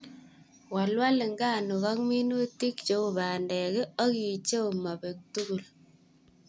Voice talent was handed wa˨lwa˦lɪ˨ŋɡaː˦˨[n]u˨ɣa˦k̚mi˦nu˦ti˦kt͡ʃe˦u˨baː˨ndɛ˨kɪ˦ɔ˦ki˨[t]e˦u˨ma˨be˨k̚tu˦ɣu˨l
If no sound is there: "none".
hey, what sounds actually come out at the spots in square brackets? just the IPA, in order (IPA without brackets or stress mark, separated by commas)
n, t͡ʃ